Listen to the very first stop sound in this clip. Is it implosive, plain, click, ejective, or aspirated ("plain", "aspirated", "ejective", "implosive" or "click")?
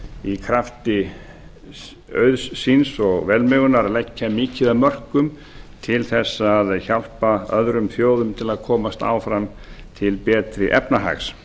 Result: aspirated